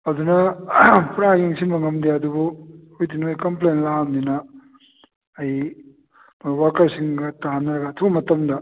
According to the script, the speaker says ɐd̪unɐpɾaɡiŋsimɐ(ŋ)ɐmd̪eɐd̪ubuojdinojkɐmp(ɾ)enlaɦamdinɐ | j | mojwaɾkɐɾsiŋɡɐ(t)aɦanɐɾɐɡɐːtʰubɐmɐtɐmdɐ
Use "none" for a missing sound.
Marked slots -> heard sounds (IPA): ŋ, l, t

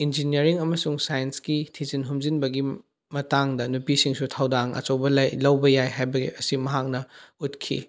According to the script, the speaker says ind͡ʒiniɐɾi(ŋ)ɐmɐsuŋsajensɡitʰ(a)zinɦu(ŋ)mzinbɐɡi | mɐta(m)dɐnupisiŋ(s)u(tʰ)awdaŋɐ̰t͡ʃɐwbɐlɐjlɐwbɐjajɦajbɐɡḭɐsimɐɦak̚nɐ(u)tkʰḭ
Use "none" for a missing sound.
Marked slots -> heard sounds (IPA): ŋ, i, none, ŋ, s, tʰ, u

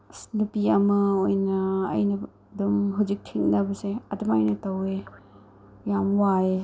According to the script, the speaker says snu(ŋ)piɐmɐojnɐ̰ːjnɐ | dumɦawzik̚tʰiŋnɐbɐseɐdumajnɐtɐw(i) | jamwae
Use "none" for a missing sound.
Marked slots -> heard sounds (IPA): none, e

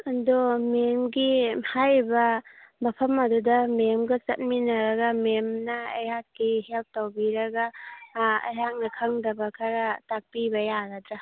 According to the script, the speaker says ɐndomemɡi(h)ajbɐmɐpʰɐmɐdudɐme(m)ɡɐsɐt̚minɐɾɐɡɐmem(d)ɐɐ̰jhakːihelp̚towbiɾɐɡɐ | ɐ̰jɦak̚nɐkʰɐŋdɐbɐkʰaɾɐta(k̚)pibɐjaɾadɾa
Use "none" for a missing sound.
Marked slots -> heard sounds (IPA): h, m, n, k̚

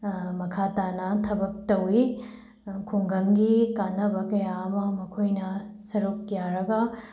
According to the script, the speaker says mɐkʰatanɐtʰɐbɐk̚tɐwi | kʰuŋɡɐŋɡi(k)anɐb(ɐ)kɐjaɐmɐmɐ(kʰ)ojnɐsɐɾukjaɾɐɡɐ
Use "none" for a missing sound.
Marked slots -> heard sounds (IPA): k, ɐ, kʰ

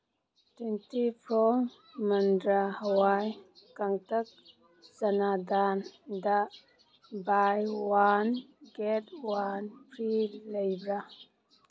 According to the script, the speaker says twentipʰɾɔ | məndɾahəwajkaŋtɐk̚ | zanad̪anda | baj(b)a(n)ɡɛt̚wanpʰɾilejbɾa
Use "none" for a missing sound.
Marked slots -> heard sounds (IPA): w, n

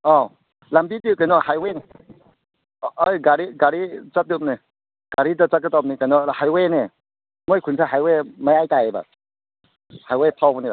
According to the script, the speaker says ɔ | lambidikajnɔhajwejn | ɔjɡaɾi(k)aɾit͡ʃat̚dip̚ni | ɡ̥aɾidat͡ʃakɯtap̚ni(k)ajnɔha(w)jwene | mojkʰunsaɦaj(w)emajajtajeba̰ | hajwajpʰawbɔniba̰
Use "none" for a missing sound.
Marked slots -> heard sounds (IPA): ɡ, k, none, w

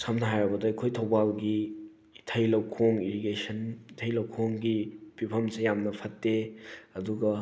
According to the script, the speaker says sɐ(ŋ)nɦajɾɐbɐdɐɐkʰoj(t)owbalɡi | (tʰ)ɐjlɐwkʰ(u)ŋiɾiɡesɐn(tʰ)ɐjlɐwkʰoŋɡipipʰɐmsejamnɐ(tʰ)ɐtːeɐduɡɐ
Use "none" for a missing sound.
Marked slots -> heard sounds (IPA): m, tʰ, tʰ, o, tʰ, pʰ

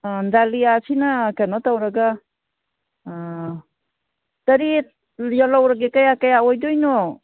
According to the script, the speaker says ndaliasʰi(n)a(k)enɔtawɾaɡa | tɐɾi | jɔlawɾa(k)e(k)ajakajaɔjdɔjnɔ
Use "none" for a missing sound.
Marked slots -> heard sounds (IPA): n, k, ɡ, k

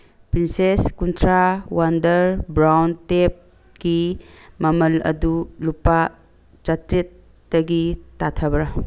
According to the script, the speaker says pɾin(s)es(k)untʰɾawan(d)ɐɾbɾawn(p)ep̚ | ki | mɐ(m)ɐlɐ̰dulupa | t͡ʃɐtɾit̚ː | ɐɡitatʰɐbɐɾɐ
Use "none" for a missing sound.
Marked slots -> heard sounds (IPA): s, k, d, t, m

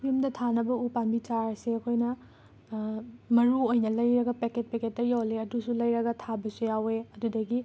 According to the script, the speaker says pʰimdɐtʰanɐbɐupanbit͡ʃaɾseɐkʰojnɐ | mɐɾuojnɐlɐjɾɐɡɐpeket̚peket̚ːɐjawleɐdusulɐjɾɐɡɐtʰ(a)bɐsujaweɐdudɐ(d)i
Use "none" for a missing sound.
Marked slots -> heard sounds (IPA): a, ɡ

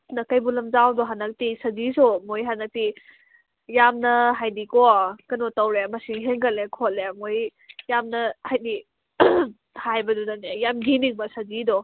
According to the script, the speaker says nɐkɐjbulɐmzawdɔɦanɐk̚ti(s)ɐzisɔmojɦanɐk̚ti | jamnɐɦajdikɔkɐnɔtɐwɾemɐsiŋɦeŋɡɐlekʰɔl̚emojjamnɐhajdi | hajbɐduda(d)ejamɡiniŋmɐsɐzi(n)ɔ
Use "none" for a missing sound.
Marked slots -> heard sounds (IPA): s, n, d

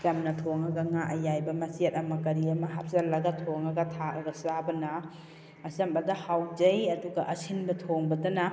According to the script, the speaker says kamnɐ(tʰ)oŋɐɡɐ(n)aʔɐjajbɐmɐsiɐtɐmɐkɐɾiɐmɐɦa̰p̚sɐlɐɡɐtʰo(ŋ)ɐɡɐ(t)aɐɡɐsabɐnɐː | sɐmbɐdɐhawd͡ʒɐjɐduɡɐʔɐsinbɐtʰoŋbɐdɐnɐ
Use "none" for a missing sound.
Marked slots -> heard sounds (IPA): tʰ, ŋ, ŋ, tʰ

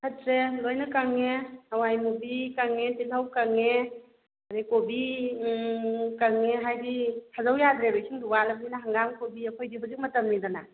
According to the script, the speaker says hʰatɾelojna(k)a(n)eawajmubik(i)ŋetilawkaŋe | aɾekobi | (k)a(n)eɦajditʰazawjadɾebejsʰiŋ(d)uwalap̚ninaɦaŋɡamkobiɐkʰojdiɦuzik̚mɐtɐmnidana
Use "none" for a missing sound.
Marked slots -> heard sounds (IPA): k, ŋ, a, k, ŋ, d

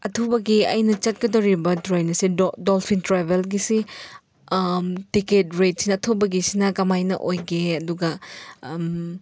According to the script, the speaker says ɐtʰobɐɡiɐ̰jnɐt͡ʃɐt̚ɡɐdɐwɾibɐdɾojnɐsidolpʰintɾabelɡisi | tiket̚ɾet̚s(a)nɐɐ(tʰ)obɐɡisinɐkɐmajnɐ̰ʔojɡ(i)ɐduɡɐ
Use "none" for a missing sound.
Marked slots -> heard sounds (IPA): i, tʰ, e

